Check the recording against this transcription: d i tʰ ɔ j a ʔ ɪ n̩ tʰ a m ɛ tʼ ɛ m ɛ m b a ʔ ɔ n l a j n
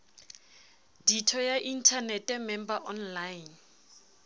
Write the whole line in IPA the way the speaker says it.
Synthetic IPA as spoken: d i tʰ ɔ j a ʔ i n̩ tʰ a n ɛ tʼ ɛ m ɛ m b a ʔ ɔ n l a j n